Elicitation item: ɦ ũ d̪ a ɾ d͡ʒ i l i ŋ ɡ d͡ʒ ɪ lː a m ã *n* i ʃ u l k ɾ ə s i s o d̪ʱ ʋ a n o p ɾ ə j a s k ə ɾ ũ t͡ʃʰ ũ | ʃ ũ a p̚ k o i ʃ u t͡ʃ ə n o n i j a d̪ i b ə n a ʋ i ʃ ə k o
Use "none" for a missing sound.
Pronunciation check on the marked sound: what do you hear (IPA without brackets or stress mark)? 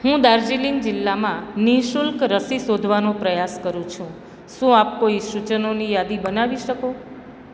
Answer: n